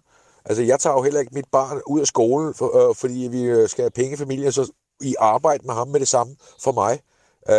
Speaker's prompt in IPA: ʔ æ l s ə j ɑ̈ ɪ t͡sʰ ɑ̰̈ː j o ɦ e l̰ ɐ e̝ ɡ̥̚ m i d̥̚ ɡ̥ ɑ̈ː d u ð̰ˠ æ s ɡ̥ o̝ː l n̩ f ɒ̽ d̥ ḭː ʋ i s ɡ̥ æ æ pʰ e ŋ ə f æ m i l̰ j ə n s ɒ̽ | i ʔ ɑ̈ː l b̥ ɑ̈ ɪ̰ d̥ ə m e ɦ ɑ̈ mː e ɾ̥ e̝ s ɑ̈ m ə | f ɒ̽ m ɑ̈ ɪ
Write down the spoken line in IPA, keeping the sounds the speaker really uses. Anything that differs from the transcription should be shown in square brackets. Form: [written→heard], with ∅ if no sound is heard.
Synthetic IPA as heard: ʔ æ l s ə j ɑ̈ ɪ t͡sʰ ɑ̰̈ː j o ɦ e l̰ ɐ e̝ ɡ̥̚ m i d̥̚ [ɡ̥→b̥] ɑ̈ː [d→n] u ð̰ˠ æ s ɡ̥ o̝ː l n̩ f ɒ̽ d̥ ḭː ʋ i s ɡ̥ æ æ pʰ e ŋ ə f æ m i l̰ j ə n s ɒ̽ | i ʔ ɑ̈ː [l→∅] b̥ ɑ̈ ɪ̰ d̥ ə m e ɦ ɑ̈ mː e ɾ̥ e̝ s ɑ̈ m ə | f ɒ̽ m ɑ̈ ɪ